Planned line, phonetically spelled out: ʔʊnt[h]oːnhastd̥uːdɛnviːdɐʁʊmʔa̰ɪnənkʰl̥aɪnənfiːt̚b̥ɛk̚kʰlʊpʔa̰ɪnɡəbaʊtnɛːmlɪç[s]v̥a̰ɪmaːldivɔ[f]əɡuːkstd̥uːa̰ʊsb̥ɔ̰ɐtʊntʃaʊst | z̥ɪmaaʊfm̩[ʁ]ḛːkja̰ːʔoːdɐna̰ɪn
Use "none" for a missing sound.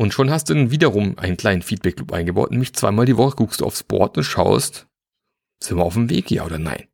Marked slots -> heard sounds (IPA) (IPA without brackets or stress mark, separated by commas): ʃ, t͡s, χ, v